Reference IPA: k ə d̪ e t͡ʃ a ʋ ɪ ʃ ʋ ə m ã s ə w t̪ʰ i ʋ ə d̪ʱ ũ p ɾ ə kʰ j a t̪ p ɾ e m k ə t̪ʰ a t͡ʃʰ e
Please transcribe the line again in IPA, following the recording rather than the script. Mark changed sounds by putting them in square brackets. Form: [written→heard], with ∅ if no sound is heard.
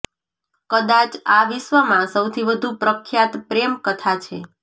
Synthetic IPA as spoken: k ə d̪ [e→a] t͡ʃ a ʋ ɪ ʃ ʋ ə m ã s ə w t̪ʰ i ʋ ə d̪ʱ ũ p ɾ ə kʰ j a t̪ p ɾ e m k ə t̪ʰ a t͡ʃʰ e